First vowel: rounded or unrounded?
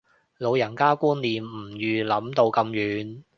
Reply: rounded